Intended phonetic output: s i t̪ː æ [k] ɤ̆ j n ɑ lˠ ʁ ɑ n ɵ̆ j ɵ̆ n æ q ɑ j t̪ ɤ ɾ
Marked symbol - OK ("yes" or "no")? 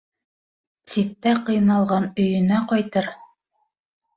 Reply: no